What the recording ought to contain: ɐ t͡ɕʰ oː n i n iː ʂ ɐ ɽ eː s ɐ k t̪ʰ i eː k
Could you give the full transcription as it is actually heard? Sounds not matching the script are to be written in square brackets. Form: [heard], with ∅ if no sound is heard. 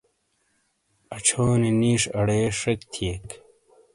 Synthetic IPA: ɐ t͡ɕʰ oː n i n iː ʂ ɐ ɽ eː [ʂ] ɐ k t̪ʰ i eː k